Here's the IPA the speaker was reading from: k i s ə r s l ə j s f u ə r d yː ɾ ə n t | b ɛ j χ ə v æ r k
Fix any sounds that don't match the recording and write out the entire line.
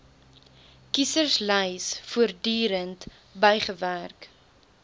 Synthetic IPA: k i s ə r s l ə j s f u ə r d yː ɾ ə n t | b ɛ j χ ə v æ r k